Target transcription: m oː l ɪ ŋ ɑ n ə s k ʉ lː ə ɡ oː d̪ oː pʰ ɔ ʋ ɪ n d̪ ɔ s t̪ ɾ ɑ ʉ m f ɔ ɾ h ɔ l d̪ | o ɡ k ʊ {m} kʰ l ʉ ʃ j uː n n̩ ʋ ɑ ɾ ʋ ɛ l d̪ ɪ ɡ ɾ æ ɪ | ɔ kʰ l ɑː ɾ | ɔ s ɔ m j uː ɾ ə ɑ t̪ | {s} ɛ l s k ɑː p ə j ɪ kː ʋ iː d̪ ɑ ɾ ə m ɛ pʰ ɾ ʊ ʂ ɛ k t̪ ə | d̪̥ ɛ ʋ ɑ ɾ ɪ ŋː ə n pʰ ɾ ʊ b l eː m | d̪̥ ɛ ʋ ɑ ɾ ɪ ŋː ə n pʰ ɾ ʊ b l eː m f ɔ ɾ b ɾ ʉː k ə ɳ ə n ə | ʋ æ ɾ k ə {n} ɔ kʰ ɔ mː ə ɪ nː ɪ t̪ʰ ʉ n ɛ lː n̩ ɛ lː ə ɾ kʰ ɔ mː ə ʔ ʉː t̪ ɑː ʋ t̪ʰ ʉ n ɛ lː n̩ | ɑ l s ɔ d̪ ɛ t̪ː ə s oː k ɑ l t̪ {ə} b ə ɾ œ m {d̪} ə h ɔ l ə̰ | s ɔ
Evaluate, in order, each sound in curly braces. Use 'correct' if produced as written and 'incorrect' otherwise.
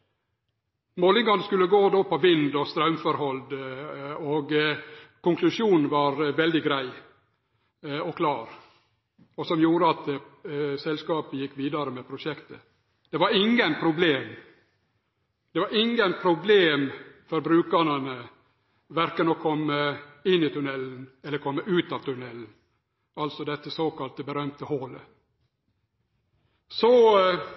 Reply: incorrect, correct, correct, correct, incorrect

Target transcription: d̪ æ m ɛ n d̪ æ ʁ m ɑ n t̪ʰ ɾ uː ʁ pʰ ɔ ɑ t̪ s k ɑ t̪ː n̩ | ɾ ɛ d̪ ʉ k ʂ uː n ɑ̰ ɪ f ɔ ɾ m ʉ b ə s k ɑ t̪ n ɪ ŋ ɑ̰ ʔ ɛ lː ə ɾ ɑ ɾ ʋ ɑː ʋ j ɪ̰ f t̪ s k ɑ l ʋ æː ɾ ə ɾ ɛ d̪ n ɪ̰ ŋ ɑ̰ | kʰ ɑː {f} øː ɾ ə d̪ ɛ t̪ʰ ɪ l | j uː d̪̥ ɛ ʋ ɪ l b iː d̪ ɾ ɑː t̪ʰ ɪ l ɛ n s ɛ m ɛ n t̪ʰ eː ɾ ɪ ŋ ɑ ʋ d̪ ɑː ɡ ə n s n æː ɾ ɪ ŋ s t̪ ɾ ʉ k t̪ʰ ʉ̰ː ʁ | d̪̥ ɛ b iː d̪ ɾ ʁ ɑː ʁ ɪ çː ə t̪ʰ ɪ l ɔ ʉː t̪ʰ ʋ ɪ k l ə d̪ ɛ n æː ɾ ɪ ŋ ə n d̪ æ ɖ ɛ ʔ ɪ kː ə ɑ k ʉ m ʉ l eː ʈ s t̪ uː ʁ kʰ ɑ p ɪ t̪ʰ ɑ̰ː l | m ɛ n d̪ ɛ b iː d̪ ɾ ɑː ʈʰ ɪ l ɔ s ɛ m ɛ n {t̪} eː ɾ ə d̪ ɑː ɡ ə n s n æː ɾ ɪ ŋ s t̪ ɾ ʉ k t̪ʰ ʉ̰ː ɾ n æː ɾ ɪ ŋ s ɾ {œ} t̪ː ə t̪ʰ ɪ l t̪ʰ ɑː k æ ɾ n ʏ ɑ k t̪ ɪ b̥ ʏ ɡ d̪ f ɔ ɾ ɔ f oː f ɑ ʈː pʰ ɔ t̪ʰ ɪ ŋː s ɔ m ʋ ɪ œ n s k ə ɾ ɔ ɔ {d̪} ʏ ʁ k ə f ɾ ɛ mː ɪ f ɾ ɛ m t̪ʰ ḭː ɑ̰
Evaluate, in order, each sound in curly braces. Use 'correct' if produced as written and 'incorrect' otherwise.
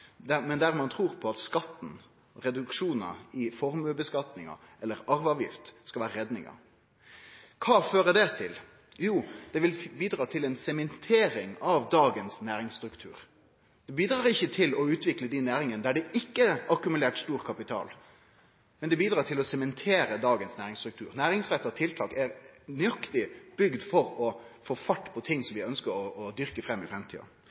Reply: correct, incorrect, incorrect, correct

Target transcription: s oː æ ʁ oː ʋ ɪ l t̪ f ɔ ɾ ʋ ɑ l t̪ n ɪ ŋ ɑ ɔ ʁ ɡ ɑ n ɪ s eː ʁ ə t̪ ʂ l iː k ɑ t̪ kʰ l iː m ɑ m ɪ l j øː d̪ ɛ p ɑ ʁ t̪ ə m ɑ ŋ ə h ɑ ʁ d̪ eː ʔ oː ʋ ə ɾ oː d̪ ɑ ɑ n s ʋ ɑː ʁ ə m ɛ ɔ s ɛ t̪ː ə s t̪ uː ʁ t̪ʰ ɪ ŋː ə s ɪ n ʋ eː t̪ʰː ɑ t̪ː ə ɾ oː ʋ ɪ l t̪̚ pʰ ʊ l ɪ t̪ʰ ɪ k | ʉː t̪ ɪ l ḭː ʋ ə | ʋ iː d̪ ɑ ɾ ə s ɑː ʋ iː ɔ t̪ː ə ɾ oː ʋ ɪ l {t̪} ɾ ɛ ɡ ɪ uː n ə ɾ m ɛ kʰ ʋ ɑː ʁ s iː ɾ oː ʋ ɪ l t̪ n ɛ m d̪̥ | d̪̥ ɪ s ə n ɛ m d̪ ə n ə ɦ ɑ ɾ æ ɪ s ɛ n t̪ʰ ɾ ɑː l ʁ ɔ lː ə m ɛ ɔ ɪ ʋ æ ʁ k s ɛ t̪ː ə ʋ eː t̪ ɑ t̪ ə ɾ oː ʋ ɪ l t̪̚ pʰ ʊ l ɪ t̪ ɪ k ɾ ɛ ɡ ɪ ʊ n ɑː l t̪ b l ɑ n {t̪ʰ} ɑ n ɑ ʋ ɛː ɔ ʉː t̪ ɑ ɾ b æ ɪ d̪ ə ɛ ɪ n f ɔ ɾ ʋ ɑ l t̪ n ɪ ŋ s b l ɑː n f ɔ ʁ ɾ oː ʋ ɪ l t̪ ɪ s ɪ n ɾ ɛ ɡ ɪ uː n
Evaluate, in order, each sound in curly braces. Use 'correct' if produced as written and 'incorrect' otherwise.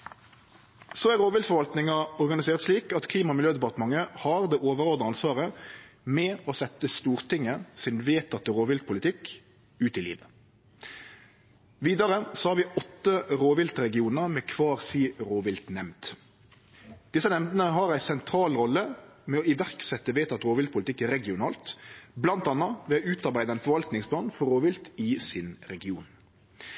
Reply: correct, incorrect

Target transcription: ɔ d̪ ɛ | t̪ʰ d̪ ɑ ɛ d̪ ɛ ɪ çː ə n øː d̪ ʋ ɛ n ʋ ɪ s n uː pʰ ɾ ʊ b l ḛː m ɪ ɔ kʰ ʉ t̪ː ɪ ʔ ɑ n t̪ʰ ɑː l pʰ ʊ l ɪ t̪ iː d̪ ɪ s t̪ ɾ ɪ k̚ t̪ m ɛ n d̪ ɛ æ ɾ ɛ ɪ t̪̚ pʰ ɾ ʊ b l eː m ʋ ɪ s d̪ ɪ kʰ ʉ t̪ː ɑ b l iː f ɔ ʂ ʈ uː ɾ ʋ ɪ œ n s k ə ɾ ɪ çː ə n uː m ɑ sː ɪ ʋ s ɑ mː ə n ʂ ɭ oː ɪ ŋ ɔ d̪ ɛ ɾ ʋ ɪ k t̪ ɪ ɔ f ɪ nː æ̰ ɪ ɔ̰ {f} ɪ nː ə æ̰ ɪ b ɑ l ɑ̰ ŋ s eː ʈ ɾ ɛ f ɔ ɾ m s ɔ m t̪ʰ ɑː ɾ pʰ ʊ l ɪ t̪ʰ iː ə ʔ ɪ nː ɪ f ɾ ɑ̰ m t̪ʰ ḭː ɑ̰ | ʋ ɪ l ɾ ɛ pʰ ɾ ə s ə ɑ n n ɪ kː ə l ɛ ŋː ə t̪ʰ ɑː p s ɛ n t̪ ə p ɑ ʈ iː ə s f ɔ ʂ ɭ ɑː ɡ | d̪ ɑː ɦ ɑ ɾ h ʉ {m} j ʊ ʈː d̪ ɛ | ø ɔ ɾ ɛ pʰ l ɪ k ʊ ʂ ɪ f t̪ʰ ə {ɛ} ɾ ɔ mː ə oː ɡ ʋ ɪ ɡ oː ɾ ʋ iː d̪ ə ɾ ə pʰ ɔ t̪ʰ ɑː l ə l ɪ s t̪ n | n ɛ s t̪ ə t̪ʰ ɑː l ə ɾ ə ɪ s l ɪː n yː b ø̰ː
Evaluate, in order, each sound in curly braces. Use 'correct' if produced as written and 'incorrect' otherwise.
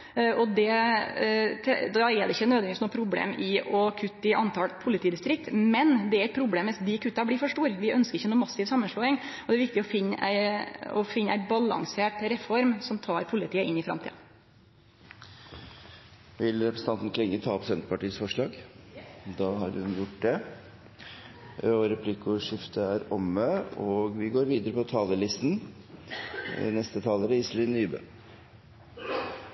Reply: correct, incorrect, incorrect

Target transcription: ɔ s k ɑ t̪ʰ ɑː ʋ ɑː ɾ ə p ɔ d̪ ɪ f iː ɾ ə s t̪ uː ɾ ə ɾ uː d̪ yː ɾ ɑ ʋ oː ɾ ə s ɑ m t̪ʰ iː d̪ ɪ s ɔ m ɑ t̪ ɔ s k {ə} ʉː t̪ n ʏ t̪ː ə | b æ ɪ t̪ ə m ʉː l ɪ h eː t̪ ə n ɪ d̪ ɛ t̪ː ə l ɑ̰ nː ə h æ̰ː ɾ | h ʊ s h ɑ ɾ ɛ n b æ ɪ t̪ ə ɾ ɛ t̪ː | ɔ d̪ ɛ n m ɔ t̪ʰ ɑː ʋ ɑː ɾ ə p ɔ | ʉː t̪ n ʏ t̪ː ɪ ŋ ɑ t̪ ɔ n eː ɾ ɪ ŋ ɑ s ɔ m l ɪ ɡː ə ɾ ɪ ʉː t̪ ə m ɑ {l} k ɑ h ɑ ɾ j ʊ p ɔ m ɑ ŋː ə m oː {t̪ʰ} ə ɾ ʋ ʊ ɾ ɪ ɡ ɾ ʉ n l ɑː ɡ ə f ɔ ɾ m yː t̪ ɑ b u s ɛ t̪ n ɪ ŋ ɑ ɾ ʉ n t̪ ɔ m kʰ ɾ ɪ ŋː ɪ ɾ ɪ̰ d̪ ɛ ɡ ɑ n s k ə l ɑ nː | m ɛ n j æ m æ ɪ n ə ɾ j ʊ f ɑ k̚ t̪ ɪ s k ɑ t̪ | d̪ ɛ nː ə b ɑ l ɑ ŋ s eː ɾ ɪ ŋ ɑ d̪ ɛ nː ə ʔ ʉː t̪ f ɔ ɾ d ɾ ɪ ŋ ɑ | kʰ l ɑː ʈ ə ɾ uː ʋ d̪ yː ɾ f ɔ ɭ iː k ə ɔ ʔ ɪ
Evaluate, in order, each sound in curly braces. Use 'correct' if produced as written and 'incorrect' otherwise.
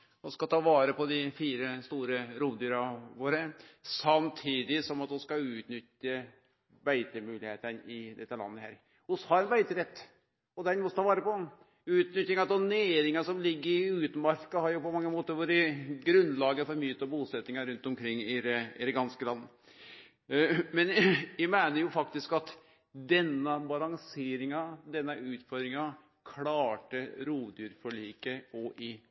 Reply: incorrect, incorrect, incorrect

